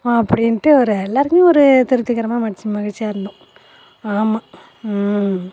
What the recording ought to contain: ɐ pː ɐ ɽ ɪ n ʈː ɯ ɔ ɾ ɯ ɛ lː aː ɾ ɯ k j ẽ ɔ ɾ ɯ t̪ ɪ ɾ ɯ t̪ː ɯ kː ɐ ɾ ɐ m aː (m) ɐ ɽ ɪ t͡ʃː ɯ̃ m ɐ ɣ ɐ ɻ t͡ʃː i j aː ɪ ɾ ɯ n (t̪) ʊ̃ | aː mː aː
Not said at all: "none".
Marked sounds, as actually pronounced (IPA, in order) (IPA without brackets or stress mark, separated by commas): m, d̪